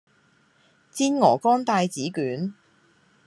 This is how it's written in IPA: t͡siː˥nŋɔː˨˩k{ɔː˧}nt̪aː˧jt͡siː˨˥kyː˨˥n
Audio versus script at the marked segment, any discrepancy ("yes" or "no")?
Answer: yes